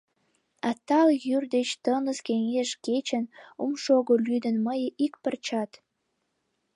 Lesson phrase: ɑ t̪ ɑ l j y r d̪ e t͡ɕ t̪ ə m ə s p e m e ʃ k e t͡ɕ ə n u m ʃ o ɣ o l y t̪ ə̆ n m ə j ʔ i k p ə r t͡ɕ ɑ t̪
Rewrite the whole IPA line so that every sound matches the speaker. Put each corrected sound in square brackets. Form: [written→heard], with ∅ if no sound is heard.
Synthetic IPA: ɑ t̪ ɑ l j y r d̪ e t͡ɕ t̪ ə [m→n] ə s [p→k] e [m→ŋ] e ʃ k e t͡ɕ ə n u m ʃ o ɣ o l y [t̪→d̪] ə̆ n m ə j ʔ i k p ə r t͡ɕ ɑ t̪